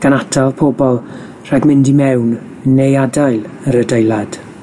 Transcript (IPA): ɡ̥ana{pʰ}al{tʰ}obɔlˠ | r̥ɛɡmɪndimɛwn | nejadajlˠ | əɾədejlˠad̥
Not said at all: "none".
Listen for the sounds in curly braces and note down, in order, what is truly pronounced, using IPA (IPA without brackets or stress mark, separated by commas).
tʰ, pʰ